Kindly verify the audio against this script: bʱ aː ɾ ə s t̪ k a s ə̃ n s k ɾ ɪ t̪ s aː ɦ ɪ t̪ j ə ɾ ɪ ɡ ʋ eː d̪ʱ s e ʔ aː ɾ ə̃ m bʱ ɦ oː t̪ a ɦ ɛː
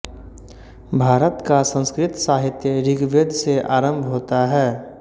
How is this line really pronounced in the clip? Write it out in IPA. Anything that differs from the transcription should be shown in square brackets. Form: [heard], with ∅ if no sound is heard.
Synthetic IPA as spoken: bʱ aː ɾ ə [∅] t̪ k a s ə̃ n s k ɾ ɪ t̪ s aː ɦ ɪ t̪ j ə ɾ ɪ ɡ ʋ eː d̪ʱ s e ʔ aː ɾ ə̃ m bʱ ɦ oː t̪ a ɦ ɛː